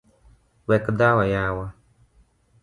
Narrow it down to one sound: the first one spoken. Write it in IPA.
w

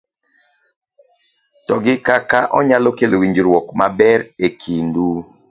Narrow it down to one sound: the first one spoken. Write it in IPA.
t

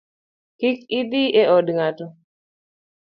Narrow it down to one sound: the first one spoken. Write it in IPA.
k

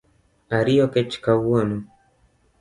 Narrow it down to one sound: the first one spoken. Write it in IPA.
a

